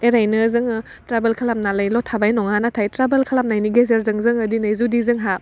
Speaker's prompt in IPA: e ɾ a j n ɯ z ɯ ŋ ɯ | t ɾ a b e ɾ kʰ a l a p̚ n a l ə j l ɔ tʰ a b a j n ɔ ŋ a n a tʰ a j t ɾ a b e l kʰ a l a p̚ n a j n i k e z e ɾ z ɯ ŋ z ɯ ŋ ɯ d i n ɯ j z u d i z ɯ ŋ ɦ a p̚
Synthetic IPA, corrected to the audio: e ɾ a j n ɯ z ɯ ŋ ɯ | t ɾ a b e l kʰ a l a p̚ n a l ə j l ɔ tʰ a b a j n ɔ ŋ a n a tʰ a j t ɾ a b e l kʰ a l a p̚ n a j n i ɡ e z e ɾ z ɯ ŋ z ɯ ŋ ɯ d i n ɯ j z u d i z ɯ ŋ ɦ a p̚